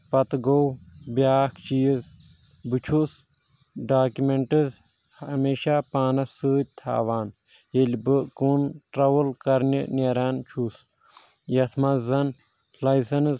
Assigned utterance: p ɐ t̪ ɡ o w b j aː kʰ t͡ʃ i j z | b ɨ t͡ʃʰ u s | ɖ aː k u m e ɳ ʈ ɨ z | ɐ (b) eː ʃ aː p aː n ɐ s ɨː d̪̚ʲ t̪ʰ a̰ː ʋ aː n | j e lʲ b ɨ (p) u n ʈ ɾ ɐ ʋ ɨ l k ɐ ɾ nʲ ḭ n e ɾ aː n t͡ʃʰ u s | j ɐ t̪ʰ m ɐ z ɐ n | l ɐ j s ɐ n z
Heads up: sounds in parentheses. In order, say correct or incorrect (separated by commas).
incorrect, incorrect